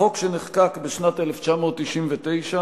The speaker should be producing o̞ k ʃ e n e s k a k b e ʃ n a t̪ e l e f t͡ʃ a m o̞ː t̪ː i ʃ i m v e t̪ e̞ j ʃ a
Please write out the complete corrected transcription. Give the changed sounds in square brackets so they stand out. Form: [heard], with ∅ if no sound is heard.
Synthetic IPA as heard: o̞ k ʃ e n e [χ] k a k b e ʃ n a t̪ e l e f t͡ʃ a m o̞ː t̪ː i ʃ i m v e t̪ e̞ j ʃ a